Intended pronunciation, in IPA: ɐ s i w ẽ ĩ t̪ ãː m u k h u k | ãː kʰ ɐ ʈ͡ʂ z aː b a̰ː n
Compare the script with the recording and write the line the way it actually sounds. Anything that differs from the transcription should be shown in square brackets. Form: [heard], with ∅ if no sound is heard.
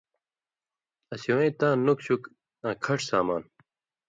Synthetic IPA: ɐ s i w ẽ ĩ t̪ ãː [n] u k [ɕ] u k | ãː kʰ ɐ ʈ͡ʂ [s] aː [m] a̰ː n